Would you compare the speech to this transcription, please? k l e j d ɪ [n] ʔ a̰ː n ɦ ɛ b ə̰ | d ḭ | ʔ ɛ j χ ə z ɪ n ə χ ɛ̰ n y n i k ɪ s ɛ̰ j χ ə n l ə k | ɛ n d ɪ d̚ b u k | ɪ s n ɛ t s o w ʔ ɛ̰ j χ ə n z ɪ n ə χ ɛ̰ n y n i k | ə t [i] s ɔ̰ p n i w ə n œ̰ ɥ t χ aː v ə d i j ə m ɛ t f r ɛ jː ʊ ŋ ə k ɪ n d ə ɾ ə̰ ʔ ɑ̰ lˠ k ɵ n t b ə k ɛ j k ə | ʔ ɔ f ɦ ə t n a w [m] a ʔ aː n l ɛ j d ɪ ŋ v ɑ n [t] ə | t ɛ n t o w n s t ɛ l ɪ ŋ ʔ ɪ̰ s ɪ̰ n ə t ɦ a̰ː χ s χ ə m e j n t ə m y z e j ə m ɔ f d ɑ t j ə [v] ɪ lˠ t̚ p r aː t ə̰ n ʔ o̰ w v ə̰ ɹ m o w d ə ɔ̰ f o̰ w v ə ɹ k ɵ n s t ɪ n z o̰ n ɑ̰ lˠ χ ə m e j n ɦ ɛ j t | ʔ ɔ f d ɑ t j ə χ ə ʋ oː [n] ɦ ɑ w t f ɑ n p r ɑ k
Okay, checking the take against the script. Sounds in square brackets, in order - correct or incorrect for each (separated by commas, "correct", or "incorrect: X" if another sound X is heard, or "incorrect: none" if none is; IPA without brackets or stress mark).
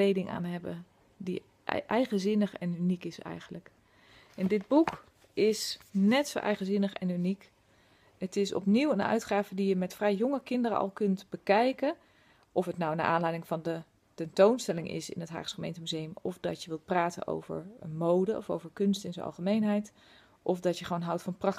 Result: incorrect: ŋ, incorrect: ɪ, incorrect: n, incorrect: d, incorrect: ʋ, correct